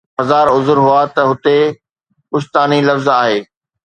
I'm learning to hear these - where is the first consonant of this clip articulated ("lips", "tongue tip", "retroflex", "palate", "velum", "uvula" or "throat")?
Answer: tongue tip